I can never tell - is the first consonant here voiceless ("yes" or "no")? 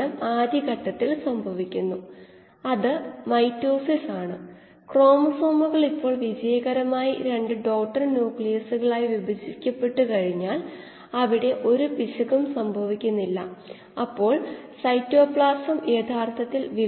no